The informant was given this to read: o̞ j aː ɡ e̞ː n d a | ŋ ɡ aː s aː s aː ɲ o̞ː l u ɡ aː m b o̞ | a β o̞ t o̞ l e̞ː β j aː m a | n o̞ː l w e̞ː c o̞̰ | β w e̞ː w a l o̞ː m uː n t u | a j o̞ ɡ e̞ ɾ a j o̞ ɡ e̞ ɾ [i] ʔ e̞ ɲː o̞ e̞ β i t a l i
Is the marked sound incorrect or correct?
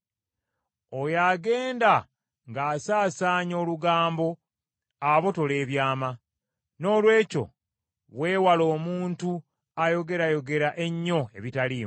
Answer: incorrect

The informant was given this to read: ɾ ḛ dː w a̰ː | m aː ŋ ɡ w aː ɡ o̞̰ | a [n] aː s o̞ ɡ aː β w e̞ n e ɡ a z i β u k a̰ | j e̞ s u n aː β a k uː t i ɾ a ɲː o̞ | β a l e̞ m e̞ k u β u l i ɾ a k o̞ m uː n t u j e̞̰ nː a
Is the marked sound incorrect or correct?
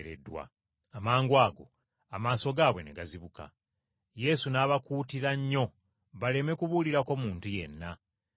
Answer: incorrect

